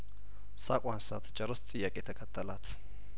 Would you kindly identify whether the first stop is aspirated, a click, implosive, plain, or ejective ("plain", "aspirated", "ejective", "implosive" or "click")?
ejective